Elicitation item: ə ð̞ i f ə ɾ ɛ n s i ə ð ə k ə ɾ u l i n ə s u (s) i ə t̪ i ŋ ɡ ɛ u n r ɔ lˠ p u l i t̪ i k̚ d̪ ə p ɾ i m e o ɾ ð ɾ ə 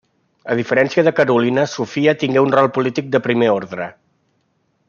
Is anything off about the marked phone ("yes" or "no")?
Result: yes